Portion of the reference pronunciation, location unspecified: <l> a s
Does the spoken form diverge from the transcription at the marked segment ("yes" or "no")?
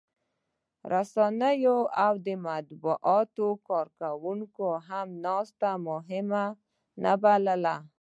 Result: yes